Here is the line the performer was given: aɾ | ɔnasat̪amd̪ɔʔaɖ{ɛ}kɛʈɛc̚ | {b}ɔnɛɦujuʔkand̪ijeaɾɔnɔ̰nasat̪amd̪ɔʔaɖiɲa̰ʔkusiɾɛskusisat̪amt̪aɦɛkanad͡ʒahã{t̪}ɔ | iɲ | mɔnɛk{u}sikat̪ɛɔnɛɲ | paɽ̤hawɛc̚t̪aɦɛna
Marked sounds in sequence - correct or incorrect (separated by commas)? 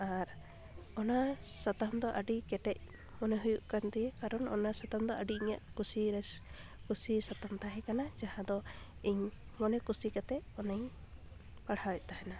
incorrect, incorrect, incorrect, correct